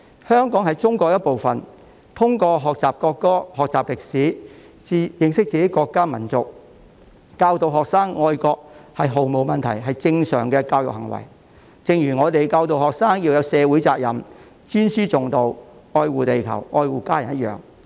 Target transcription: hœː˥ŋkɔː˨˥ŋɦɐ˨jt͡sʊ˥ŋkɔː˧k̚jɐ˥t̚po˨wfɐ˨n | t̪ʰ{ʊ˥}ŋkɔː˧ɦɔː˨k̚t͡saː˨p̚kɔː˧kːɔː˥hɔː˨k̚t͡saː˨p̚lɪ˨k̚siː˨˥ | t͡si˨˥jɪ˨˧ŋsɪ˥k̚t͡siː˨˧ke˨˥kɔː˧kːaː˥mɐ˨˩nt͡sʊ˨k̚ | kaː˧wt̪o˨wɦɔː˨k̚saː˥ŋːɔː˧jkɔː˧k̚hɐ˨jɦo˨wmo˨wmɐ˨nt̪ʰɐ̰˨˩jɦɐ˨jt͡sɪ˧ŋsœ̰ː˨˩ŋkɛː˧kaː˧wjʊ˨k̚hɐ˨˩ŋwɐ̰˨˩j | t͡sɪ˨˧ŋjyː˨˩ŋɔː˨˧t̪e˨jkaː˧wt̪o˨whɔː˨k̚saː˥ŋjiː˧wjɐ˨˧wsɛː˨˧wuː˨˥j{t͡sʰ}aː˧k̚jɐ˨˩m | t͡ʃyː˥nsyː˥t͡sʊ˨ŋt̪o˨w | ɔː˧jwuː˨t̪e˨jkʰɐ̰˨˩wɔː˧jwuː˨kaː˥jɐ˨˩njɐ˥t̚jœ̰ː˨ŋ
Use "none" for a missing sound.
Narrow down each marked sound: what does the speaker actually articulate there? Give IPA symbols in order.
ʊ˥, t͡s

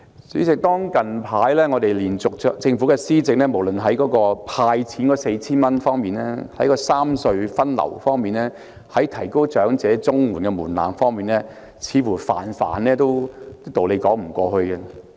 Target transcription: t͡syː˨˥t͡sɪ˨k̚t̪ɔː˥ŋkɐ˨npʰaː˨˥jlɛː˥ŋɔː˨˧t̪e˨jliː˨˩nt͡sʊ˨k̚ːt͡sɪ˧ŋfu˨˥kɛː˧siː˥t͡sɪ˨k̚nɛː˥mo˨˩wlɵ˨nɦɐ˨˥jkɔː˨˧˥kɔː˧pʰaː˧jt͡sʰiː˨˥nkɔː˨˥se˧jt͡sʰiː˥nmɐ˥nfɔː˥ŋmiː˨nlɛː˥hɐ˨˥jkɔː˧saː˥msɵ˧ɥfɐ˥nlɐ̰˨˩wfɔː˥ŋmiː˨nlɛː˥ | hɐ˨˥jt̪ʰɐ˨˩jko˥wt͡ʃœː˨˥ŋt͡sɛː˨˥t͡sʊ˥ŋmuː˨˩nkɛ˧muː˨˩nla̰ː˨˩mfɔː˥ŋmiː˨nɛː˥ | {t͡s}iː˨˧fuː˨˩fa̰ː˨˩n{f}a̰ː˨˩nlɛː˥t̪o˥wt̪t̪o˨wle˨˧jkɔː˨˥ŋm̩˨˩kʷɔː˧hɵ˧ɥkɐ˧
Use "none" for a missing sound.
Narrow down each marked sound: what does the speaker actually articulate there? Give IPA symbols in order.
t͡sʰ, f

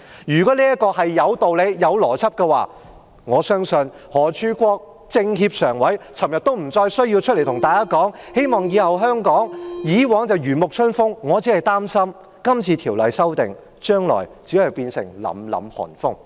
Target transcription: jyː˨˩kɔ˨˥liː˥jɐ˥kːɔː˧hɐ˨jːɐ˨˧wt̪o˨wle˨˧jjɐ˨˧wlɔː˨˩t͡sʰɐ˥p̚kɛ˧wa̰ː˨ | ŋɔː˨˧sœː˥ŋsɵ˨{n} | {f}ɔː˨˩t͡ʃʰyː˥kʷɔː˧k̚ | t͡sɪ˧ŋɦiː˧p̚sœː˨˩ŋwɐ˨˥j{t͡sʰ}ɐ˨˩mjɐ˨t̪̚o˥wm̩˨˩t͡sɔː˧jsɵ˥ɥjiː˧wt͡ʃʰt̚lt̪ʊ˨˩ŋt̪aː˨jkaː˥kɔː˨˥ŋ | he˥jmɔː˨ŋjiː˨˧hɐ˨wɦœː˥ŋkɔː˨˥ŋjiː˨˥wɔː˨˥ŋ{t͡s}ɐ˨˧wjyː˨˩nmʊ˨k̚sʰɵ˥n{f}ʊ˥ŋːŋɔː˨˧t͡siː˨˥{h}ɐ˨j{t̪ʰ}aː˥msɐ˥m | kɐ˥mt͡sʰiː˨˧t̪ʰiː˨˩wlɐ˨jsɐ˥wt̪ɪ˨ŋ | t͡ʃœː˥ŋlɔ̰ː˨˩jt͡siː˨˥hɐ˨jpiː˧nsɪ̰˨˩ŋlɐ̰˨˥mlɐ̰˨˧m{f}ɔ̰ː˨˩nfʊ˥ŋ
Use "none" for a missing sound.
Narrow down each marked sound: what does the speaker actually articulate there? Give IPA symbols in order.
n, h, t͡sʰ, t͡s, f, h, t̪, h

